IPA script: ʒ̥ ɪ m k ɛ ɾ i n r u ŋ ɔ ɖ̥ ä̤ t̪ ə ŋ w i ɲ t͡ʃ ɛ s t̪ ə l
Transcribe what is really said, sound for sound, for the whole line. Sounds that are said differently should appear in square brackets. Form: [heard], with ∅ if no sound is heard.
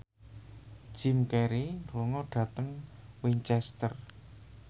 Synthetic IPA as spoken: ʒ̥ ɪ m k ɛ ɾ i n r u ŋ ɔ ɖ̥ ä̤ t̪ ə ŋ w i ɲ t͡ʃ ɛ s t̪ ə [r]